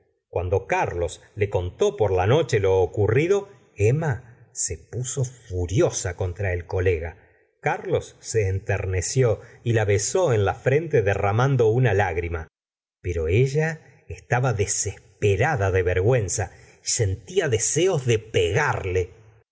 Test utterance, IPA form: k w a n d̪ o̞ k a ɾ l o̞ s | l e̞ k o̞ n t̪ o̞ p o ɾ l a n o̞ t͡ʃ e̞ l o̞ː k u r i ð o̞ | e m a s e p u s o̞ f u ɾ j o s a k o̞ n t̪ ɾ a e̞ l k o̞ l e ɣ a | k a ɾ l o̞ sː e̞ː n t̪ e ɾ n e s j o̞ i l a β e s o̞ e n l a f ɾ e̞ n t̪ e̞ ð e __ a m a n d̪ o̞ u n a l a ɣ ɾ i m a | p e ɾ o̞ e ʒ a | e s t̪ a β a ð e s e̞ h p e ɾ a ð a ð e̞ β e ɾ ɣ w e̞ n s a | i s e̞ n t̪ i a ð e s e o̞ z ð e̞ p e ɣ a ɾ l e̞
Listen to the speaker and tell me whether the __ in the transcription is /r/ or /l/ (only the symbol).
r